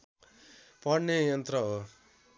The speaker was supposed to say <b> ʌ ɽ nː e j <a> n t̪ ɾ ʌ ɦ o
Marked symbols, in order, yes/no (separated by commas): no, no